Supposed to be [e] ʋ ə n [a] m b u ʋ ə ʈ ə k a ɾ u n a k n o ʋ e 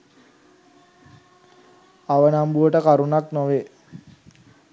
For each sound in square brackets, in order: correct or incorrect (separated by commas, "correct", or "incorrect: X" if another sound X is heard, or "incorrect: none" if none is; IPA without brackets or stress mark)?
incorrect: a, correct